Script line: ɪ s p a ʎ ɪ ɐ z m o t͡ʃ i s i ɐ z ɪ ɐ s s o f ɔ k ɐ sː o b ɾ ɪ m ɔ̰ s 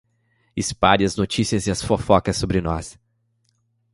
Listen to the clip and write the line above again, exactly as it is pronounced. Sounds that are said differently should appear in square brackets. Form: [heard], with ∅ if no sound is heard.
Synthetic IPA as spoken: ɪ s p a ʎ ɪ ɐ z [n] o t͡ʃ i s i ɐ z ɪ ɐ s [f] o f ɔ k ɐ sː o b ɾ ɪ [n] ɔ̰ s